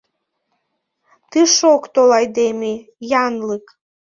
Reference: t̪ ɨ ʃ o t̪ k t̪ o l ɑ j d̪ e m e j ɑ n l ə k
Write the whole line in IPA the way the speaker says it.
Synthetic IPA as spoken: t̪ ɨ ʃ o k t̪ o l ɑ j d̪ e m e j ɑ n l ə k